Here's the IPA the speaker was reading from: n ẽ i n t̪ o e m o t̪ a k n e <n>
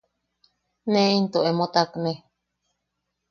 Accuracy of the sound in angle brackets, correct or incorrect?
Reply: incorrect